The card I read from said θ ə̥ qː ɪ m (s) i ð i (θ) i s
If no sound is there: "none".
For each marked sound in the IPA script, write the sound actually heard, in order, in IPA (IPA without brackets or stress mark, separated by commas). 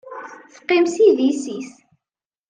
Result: s, s